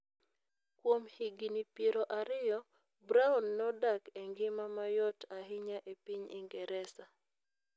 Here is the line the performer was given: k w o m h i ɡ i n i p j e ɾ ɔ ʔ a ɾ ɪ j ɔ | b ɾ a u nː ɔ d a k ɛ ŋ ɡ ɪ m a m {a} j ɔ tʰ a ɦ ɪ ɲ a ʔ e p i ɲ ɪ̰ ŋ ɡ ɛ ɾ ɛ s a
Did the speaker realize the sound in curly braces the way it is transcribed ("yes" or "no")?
yes